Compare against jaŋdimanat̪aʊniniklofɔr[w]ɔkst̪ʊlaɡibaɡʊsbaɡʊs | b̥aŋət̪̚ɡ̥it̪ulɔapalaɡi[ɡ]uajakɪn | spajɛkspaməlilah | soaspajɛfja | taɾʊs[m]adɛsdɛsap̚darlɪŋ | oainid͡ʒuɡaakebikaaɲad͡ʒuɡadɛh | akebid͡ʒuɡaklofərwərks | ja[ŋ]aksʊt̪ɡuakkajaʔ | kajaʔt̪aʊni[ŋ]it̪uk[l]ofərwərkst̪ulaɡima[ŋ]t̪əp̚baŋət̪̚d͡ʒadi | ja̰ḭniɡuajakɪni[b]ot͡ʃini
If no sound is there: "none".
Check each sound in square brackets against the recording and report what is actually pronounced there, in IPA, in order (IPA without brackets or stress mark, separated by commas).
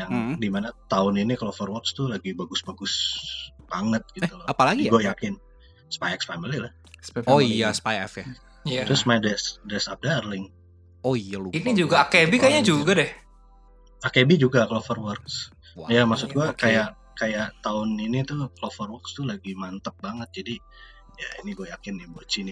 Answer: w, ɡ, m, m, n, l, n, b